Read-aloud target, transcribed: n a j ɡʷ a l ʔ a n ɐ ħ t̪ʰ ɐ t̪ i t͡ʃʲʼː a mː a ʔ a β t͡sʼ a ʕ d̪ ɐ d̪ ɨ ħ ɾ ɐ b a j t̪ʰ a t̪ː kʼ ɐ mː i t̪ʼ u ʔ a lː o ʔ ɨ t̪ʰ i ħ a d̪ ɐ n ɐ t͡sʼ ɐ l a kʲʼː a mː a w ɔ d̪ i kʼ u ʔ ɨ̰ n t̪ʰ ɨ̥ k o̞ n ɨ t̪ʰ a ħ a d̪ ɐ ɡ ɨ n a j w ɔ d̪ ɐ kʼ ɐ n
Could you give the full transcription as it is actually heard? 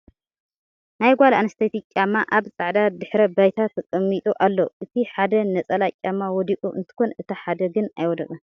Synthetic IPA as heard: n a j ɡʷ a l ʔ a n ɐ s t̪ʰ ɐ t̪ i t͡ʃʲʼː a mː a ʔ a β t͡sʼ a ʕ d̪ a d̪ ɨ ħ ɾ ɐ b a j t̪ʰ a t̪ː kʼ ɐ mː i t̪ʼ u ʔ a lː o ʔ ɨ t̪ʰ i ħ a d̪ ɐ n ɐ t͡sʼ ɐ l a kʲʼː a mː a w ɔ d̪ i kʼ u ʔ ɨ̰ n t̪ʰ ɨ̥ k o̞ n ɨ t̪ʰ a ħ a d̪ ɐ ɡ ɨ n a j w ɔ d̪ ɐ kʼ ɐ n